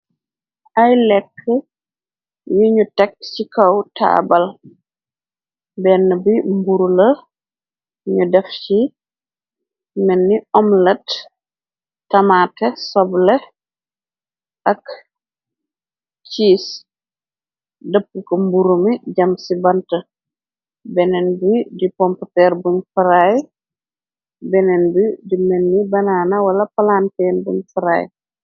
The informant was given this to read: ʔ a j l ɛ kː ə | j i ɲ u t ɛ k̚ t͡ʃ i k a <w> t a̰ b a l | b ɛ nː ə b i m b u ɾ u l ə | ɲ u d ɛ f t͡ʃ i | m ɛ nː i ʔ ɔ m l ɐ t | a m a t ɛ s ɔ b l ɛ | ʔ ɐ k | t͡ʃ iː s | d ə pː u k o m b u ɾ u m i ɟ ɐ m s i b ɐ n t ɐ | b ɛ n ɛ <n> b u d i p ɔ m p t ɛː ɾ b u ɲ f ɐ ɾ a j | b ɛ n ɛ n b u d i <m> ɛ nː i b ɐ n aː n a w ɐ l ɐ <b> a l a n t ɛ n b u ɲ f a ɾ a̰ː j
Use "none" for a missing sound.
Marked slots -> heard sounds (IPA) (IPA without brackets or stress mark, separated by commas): w, n, m, p